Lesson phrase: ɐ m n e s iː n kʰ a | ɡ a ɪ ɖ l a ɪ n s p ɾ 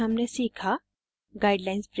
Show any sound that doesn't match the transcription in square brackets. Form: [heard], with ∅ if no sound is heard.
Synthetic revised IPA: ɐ m n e s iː [∅] kʰ a | ɡ a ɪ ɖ l a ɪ n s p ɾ